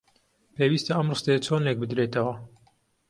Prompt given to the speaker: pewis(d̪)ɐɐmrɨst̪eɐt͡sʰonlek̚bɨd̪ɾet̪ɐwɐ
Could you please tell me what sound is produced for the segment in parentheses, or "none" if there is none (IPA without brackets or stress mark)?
t̪